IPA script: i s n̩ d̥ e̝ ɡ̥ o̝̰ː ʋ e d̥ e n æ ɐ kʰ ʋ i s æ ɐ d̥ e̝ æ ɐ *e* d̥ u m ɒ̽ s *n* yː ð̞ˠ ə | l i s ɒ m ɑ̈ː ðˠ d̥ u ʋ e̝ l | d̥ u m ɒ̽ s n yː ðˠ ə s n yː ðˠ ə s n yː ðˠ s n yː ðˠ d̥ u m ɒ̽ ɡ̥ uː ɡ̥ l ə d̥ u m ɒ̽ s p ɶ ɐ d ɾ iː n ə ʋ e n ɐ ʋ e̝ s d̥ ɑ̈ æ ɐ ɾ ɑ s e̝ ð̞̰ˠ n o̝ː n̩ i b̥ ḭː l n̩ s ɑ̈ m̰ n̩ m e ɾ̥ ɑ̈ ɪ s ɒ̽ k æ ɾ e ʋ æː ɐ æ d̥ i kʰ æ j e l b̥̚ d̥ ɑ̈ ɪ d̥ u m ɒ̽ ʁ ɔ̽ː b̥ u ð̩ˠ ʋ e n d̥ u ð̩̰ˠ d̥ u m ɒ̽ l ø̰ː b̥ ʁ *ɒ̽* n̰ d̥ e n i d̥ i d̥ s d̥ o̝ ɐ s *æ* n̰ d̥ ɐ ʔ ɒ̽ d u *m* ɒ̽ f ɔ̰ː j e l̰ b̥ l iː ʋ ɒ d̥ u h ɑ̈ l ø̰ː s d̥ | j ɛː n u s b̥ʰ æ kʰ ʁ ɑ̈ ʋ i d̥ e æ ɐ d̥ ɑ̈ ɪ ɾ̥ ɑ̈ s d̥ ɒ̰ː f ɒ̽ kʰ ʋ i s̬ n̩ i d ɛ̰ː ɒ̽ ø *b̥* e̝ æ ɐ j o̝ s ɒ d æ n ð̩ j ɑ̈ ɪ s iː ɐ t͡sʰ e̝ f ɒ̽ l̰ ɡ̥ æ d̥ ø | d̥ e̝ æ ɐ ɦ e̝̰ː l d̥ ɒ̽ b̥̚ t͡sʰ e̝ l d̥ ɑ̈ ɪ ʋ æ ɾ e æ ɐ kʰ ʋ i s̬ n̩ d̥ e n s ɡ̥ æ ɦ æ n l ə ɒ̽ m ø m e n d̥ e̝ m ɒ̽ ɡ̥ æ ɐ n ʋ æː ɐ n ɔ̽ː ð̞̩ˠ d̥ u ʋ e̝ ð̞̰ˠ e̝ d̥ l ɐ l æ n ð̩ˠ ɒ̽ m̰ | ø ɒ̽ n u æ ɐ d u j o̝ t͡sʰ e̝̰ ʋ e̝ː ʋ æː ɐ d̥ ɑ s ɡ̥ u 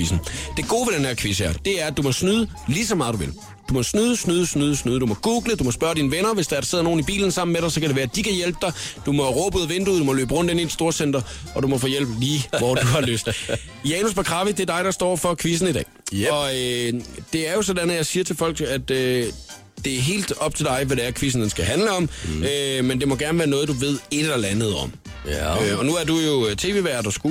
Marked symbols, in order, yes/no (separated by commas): no, yes, no, no, yes, no